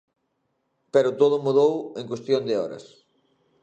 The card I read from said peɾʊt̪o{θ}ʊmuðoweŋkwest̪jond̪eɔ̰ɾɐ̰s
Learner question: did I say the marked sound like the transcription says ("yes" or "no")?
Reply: no